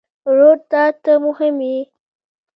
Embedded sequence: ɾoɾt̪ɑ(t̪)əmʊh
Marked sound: correct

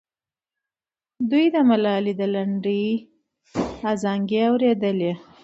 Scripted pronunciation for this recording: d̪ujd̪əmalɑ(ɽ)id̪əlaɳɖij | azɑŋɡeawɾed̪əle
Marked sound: incorrect: l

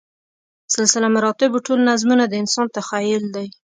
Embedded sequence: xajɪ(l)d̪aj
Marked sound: correct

